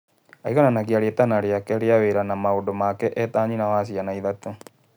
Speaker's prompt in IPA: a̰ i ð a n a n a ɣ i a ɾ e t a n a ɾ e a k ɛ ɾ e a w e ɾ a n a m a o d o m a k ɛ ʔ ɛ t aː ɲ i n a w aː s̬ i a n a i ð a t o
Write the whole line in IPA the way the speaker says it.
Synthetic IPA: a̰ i ɣ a n a n a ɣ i a ɾ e t a n a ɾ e a k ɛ ɾ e a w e ɾ a n a m a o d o m a k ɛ ʔ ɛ t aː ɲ i n a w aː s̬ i a n a i ð a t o